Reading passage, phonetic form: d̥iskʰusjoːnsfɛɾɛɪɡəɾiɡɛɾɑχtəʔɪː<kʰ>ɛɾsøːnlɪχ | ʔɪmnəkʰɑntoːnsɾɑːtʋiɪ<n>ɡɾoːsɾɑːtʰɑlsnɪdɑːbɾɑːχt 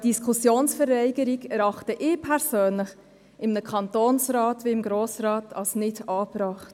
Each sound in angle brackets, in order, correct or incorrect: incorrect: pʰ, incorrect: m

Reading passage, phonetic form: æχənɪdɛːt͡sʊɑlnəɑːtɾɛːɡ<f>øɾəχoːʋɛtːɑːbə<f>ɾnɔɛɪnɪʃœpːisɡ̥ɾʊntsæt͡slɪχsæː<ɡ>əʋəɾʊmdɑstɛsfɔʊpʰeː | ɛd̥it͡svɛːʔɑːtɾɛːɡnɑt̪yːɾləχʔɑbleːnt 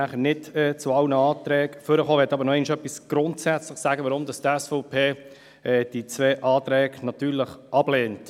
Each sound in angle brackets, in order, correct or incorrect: correct, incorrect: none, correct

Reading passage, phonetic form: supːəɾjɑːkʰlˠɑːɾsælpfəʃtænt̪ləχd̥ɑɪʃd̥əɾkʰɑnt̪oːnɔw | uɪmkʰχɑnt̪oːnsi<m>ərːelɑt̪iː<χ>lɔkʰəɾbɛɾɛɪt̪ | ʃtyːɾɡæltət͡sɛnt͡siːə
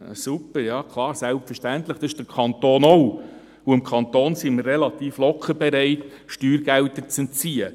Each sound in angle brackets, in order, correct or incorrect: correct, incorrect: f

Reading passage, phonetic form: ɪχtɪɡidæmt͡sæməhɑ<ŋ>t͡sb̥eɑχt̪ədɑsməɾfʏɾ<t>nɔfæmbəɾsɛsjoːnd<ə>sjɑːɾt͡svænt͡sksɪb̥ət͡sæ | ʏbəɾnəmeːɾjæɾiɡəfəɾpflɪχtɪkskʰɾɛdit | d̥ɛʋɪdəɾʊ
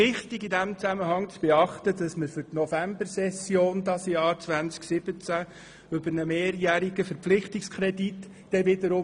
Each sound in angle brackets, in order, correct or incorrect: correct, correct, incorrect: ɑ

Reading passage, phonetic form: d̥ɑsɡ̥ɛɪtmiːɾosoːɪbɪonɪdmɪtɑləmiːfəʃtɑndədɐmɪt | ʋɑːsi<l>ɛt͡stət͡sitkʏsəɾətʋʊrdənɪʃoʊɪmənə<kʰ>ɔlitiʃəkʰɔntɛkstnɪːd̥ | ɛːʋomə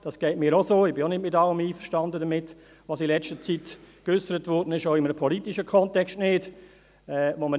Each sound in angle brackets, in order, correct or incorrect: correct, incorrect: pʰ

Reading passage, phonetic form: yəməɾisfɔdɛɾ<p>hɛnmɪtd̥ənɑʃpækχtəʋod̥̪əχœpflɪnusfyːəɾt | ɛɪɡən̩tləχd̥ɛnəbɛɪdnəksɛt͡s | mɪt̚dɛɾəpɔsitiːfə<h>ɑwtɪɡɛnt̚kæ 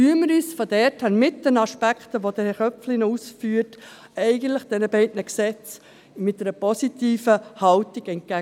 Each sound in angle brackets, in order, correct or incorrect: incorrect: t, correct

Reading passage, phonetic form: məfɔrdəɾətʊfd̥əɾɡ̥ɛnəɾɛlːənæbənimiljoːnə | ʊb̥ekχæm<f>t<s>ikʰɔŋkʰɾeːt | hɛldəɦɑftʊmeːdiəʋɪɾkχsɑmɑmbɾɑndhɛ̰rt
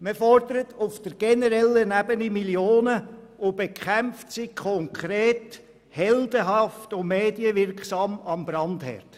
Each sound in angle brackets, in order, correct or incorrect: correct, correct

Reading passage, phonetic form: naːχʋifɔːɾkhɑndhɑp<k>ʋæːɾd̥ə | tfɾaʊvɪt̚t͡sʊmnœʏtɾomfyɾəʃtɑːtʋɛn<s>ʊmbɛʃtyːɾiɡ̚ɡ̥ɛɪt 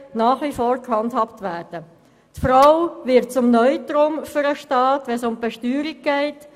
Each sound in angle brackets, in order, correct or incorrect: incorrect: t, correct

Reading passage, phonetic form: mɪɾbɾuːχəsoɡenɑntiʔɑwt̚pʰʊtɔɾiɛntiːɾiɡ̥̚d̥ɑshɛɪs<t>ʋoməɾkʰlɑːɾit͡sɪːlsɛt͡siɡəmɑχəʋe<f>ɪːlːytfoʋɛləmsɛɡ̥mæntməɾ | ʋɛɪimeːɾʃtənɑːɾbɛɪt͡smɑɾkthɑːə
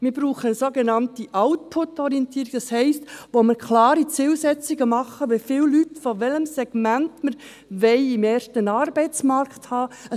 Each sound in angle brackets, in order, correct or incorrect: correct, correct

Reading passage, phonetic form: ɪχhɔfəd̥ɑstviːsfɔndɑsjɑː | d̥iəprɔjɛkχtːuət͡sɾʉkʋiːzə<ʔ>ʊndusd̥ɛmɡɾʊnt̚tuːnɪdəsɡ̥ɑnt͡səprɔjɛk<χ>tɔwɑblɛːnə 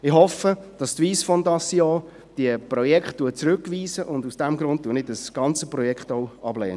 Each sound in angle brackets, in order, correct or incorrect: correct, correct

